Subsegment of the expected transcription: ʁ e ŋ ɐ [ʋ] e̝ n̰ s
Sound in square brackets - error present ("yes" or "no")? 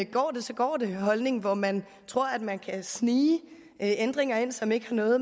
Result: yes